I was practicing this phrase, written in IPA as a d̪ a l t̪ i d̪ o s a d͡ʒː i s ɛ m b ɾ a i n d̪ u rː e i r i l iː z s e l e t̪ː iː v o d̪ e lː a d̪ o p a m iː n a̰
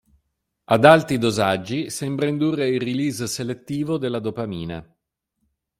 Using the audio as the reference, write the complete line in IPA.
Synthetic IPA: a d̪ a l t̪ i d̪ o z a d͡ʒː i s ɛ m b ɾ a i n d̪ u rː e i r i l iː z s e l e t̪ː iː v o d̪ e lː a d̪ o p a m iː n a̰